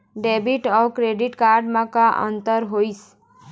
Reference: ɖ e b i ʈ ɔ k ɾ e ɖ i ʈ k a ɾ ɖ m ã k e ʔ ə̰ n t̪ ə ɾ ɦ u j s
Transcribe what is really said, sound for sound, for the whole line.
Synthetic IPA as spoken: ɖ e b i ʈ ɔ k ɾ e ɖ i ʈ k a ɾ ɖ m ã k a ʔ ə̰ n t̪ ə ɾ ɦ o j s